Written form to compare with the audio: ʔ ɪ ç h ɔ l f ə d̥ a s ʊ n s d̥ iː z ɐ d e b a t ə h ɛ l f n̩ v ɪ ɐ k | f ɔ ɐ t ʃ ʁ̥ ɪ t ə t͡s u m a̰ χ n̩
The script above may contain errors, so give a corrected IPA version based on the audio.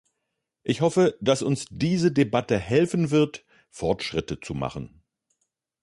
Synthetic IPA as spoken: ʔ ɪ ç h ɔ f ə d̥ a s ʊ n s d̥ iː z ə d e b a t ə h ɛ l f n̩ v ɪ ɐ t | f ɔ ɐ t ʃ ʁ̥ ɪ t ə t͡s u m a̰ χ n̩